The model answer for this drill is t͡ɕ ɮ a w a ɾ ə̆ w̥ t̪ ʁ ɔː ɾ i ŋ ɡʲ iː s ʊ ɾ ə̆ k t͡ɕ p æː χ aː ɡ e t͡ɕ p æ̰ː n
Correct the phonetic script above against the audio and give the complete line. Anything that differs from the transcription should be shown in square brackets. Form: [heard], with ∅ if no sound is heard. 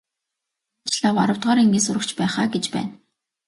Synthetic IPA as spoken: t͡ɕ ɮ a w a ɾ ə̆ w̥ t̪ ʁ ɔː ɾ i ŋ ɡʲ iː s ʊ ɾ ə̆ k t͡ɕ p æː χ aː ɡ e t͡ɕ p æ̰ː n